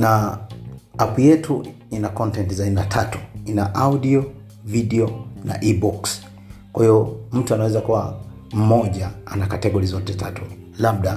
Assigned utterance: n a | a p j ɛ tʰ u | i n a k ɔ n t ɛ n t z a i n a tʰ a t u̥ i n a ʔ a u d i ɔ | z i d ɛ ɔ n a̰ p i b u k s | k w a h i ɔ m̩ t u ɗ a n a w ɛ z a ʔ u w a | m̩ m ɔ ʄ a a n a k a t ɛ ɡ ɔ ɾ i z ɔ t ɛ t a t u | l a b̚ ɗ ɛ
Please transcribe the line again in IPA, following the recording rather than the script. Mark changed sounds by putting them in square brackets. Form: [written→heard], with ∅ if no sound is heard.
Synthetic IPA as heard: n a | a p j ɛ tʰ u | i n a k ɔ n t ɛ n t z a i n a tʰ a t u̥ i n a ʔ a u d i ɔ | [z→v] i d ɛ ɔ n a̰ [p→ʔ] i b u k s | k w a h i ɔ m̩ t u [ɗ→∅] a n a w ɛ z a [ʔ→k] u w a | m̩ m ɔ ʄ a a n a k a t ɛ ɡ ɔ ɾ i z ɔ t ɛ t a t u | l a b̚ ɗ [ɛ→a]